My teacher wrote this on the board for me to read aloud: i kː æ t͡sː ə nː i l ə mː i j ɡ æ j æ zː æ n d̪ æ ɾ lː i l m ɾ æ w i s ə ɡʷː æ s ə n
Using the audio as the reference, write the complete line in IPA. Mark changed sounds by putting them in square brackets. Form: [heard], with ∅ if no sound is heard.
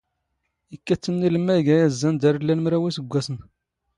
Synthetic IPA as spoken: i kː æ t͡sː ə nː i l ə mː [æ] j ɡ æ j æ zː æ n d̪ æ ɾ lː [æ] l m ɾ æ w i s ə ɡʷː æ s ə n